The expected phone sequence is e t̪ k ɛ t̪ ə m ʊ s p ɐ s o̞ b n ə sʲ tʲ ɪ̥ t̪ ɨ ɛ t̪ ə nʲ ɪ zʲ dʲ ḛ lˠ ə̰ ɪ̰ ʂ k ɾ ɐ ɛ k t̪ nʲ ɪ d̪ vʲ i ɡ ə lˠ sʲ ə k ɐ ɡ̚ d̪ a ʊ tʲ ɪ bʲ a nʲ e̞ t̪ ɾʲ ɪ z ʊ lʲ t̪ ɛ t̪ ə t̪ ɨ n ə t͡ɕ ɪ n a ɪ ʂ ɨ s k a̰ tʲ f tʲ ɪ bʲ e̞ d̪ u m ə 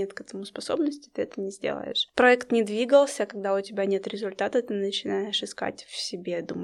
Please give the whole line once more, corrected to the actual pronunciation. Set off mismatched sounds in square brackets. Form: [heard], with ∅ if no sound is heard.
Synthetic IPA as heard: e t̪ k ɛ t̪ ə m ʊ s p ɐ s o̞ b n ə sʲ tʲ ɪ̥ t̪ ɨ ɛ t̪ ə nʲ ɪ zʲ dʲ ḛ lˠ ə̰ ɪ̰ ʂ [p] ɾ ɐ ɛ k t̪ nʲ ɪ d̪ vʲ i ɡ ə lˠ sʲ ə k ɐ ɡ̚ d̪ a ʊ tʲ ɪ bʲ a nʲ e̞ t̪ ɾʲ ɪ z ʊ lʲ t̪ [a] t̪ ə t̪ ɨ n ə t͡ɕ ɪ n a ɪ ʂ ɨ s k a̰ tʲ f [sʲ] ɪ bʲ e̞ d̪ u m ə